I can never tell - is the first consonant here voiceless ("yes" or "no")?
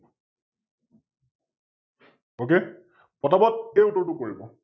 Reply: yes